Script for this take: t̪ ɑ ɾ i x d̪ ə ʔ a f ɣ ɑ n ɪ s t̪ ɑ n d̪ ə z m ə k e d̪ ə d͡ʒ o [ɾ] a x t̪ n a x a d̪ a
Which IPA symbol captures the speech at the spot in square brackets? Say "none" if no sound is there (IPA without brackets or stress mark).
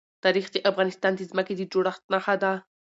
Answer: ɽ